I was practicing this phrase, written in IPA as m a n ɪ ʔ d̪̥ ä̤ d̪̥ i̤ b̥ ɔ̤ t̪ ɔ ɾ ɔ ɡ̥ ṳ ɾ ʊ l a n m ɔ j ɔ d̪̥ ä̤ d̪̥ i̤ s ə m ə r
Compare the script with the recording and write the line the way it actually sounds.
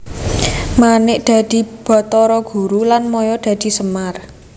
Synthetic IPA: m a n ɪ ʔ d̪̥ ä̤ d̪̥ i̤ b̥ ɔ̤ t̪ ɔ ɾ ɔ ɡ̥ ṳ ɾ u l a n m ɔ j ɔ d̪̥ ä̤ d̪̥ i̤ s ə m a r